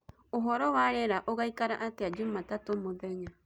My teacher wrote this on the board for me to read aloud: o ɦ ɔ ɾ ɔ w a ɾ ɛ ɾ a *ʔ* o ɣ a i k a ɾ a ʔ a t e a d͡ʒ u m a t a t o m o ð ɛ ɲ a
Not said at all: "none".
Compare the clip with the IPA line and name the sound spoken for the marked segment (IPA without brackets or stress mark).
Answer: ʔ